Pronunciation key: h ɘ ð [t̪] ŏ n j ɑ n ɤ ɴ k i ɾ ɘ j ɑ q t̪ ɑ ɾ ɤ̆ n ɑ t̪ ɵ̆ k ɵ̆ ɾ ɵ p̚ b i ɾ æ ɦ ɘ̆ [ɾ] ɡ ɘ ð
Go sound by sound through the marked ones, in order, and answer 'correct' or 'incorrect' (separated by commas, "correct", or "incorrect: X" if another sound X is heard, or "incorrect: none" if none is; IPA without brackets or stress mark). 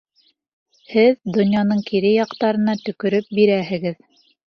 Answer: incorrect: d̪, incorrect: none